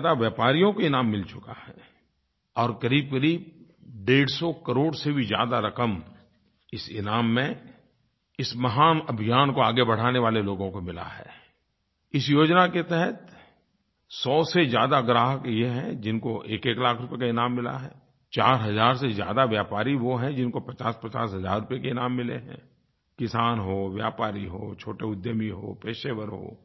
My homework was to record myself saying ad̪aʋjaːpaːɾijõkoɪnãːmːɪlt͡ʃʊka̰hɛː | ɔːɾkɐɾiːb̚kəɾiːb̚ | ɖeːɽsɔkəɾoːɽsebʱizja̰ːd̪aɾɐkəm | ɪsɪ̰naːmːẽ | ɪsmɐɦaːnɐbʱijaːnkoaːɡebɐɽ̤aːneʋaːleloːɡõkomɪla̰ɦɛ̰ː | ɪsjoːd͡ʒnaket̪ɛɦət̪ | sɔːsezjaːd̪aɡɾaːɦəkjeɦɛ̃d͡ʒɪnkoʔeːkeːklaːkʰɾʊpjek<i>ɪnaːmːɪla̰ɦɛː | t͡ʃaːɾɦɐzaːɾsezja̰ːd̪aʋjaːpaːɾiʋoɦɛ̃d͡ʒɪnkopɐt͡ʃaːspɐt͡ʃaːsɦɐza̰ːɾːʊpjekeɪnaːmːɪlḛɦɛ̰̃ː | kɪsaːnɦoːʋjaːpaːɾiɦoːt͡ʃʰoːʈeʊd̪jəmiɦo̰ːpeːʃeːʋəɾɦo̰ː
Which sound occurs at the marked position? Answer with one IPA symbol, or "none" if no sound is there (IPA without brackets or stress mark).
a